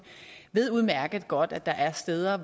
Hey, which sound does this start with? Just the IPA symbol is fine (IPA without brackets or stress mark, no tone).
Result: ʋ